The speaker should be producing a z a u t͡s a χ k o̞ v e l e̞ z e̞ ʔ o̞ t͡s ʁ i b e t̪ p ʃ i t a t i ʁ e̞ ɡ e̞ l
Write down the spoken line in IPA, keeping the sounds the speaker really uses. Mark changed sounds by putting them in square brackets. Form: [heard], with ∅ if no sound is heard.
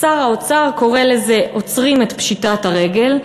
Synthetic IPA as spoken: a [ʁ] a [o] t͡s a [ʁ] k o̞ [ʁ] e l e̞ z e̞ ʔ o̞ t͡s ʁ i [m] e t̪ p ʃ i t a t [a] ʁ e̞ ɡ e̞ l